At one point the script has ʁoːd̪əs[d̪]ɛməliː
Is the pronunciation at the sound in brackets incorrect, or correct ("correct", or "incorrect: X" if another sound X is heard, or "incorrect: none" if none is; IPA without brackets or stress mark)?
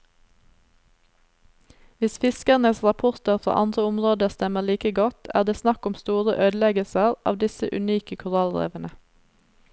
incorrect: t̪